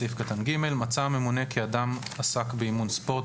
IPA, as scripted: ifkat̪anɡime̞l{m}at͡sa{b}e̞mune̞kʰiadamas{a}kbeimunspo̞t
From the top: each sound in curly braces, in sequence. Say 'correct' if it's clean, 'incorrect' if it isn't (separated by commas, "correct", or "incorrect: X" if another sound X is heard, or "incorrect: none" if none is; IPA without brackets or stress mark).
correct, incorrect: m, correct